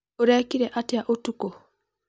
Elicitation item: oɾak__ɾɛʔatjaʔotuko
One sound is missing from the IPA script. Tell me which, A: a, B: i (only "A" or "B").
B